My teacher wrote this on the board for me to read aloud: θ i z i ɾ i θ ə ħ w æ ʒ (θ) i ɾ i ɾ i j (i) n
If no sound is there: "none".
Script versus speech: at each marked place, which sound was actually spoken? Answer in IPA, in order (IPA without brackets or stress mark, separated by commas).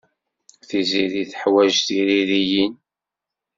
θ, i